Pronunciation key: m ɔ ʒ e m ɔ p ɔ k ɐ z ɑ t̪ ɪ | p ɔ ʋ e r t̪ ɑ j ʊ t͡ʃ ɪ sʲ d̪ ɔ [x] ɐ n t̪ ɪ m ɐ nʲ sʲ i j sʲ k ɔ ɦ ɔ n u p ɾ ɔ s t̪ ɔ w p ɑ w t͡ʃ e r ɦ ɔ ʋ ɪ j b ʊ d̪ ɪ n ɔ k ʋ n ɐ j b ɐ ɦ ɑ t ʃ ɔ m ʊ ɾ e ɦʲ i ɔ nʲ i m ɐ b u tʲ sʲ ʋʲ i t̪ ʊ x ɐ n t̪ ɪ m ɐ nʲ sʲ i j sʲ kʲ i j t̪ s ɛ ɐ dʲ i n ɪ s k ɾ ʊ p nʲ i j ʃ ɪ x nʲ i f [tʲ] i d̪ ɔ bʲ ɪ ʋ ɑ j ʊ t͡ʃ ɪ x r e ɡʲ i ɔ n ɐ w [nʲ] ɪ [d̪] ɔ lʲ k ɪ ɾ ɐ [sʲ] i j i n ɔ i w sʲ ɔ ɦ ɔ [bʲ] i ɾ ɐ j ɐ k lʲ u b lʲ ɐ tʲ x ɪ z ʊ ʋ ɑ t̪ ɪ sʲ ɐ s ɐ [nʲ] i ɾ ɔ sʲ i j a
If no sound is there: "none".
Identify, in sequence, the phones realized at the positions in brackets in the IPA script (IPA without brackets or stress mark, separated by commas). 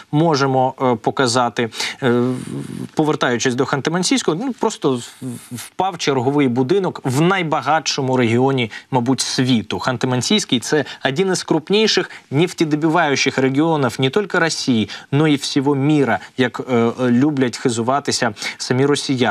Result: x, tʲ, nʲ, t̪, sʲ, mʲ, mʲ